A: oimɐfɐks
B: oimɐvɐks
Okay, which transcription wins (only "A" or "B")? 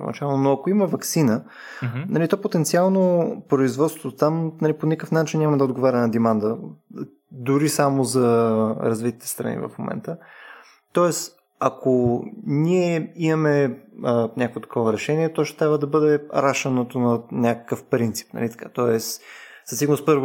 B